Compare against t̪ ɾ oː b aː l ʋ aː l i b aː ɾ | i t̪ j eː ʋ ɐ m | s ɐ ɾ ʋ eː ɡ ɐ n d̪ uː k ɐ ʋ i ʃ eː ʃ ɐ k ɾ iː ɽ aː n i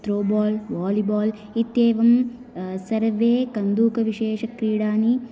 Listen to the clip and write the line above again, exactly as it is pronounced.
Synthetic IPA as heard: t̪ ɾ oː b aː l ʋ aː l i b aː l | i t̪ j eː ʋ ɐ m | s ɐ ɾ ʋ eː k ɐ n d̪ uː k ɐ ʋ i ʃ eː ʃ ɐ k ɾ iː ɽ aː n i